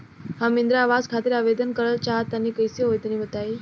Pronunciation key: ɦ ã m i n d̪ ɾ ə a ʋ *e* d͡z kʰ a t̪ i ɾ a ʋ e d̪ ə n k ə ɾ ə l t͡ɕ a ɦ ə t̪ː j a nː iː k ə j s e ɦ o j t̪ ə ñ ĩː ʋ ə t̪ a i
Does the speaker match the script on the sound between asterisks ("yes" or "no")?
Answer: no